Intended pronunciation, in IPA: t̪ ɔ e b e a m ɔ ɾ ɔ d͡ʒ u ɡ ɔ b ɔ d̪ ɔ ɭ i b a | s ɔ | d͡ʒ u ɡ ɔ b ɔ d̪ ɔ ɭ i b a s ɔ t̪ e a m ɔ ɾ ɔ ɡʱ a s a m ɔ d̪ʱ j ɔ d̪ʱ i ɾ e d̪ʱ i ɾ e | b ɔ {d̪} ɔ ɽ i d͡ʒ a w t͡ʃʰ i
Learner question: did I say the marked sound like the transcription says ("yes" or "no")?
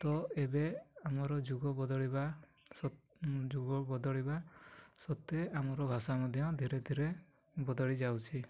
yes